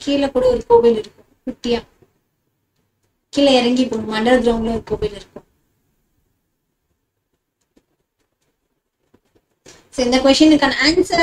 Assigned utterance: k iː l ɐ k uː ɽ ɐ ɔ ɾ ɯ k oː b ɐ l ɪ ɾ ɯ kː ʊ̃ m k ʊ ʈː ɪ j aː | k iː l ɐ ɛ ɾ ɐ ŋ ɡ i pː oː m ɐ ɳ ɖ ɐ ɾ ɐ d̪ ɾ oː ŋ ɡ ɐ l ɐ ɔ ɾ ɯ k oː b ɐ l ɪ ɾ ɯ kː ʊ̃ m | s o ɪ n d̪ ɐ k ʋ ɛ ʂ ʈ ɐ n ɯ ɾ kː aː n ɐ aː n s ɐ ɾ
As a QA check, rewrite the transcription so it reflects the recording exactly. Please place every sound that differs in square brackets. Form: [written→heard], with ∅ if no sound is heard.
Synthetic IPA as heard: k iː l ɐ k uː ɽ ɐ ɔ ɾ ɯ k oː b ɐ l ɪ ɾ ɯ kː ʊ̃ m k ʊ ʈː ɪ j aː | k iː l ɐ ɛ ɾ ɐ ŋ ɡ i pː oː m ɐ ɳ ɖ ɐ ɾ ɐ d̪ ɾ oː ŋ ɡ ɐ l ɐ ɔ ɾ ɯ k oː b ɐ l ɪ ɾ ɯ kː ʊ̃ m | s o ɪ n d̪ ɐ k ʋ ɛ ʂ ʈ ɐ n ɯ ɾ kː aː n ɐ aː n s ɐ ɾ